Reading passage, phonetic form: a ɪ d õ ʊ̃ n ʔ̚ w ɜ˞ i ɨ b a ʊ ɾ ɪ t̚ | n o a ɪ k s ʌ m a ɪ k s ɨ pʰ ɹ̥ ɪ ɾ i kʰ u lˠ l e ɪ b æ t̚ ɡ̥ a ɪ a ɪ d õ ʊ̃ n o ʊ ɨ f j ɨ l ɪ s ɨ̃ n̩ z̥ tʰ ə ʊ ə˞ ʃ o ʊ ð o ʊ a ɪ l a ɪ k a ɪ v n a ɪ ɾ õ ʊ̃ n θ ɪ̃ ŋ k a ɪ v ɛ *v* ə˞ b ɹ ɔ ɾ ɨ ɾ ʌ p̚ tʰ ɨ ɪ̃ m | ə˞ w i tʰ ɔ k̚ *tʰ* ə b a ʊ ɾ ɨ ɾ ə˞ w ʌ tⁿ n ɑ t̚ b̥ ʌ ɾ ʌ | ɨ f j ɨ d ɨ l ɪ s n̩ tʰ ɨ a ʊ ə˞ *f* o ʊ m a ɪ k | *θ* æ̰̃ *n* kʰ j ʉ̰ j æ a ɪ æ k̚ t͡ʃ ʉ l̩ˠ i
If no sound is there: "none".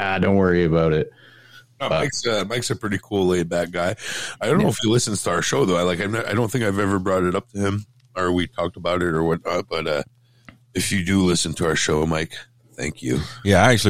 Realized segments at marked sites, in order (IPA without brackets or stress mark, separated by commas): v, t, ʃ, θ, ŋ